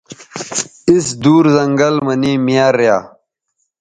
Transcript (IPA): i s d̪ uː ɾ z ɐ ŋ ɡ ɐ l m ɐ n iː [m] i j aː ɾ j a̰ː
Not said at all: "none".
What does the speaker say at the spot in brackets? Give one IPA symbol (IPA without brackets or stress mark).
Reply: m